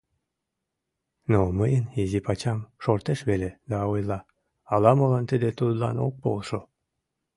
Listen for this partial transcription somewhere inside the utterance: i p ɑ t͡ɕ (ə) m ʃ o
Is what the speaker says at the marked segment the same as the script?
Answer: no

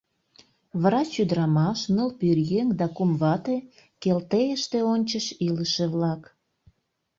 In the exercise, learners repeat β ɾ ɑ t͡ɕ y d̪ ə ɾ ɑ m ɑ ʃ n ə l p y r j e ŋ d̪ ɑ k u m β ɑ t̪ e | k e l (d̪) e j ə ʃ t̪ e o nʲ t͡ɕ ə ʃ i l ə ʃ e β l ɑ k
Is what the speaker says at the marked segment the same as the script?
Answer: no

